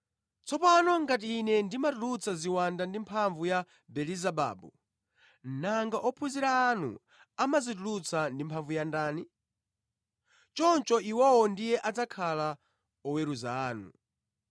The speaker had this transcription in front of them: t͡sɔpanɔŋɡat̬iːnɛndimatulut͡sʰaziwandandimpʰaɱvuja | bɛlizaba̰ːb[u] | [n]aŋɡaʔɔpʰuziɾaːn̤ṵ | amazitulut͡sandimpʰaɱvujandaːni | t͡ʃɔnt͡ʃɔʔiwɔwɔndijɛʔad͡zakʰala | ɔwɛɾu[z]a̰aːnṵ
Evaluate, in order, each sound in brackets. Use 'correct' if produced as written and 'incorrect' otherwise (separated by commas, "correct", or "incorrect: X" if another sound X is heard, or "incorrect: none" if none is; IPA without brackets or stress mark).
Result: correct, correct, correct